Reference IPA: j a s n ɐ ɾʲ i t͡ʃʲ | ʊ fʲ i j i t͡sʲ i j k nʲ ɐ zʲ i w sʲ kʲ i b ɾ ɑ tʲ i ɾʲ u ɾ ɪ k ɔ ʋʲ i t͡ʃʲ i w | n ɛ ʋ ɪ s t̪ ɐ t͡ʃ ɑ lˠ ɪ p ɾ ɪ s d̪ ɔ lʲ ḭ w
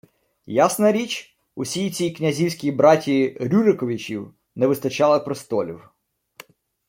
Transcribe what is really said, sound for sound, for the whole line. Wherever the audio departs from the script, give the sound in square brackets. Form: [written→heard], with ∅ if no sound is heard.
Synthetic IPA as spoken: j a s n ɐ ɾʲ i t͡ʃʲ | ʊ [fʲ→sʲ] i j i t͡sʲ i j k nʲ ɐ zʲ i w sʲ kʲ i b ɾ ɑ tʲ i ɾʲ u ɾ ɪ k ɔ ʋʲ i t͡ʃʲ i w | n ɛ ʋ ɪ s t̪ ɐ t͡ʃ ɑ lˠ ɪ p ɾ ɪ s [d̪→t̪] ɔ lʲ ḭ w